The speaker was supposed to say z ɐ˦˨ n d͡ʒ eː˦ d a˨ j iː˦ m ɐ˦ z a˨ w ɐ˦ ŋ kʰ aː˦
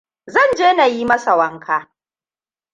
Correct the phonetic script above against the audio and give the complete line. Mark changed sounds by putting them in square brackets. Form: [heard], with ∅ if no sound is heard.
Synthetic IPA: z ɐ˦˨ n d͡ʒ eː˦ [n] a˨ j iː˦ m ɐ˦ [s] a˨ w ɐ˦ ŋ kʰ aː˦